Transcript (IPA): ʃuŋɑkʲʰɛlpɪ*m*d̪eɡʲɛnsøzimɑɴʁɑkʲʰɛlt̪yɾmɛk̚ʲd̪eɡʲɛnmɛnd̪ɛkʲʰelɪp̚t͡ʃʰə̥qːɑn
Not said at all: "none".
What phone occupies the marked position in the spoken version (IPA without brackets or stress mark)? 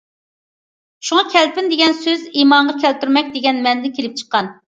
n